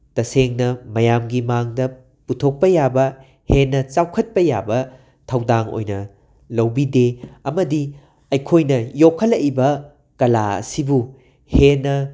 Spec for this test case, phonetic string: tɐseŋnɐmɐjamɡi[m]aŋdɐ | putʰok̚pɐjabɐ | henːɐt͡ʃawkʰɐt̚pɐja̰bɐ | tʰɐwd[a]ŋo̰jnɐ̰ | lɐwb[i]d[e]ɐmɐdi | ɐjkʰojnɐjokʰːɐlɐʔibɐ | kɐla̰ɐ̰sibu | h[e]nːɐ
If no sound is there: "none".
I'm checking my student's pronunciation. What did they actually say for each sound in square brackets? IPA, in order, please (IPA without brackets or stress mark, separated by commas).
m, a, i, e, e